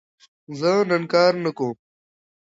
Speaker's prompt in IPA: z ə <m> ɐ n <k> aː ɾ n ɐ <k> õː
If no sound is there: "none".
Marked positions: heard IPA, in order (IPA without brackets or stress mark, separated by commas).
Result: n, k, k